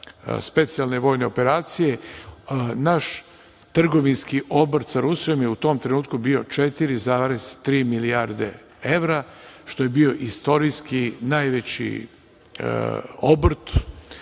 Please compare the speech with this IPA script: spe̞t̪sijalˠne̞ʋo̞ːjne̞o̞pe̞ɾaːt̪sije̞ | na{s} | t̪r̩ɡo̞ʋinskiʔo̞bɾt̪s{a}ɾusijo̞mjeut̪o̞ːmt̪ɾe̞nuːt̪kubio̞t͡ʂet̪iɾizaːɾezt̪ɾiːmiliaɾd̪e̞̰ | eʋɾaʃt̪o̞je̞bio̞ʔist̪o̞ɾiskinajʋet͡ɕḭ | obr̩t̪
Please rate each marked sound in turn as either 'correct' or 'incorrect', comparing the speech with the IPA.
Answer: incorrect, correct

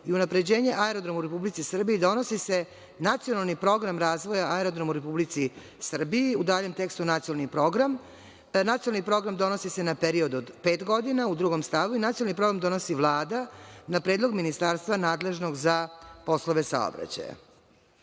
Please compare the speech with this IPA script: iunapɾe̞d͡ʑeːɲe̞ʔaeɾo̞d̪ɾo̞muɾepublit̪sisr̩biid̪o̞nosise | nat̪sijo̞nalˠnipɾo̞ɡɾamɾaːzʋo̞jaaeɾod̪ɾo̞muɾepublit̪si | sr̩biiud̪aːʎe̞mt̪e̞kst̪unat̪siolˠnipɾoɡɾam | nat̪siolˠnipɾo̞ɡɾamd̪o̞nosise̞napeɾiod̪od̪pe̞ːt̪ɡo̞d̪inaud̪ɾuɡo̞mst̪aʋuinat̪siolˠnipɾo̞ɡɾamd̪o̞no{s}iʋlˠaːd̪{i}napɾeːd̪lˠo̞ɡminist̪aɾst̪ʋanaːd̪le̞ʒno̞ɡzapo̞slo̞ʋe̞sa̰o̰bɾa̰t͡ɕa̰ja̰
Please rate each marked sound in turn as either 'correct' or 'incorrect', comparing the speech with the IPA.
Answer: correct, incorrect

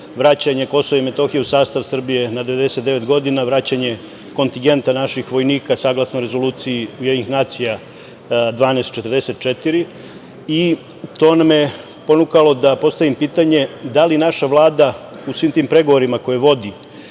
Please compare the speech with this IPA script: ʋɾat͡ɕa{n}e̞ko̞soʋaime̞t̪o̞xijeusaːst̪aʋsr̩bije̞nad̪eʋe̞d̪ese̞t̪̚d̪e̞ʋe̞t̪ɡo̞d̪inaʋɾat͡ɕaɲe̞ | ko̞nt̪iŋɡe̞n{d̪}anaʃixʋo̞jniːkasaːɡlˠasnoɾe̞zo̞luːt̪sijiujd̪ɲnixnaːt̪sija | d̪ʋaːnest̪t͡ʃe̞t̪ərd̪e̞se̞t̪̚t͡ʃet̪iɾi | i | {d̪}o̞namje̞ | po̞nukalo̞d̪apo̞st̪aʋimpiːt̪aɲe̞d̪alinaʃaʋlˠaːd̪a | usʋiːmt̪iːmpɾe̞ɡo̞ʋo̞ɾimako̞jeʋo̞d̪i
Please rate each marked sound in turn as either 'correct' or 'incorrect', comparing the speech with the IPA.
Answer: incorrect, incorrect, incorrect

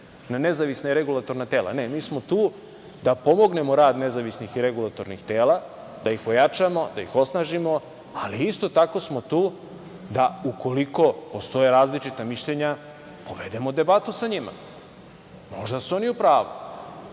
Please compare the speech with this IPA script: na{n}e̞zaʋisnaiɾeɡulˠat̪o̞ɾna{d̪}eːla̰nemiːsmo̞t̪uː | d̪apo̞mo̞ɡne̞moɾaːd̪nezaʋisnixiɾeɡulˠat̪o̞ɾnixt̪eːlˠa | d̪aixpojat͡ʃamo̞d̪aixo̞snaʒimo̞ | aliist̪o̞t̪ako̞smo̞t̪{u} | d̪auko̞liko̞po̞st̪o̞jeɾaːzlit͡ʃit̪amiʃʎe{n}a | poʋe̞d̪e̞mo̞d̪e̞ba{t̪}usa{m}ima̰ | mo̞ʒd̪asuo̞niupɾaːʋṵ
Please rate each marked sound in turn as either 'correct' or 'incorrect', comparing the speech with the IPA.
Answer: correct, incorrect, incorrect, incorrect, correct, incorrect

